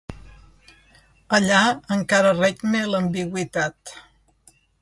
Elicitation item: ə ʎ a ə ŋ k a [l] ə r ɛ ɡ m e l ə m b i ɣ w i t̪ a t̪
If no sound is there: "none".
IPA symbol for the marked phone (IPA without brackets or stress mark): ɾ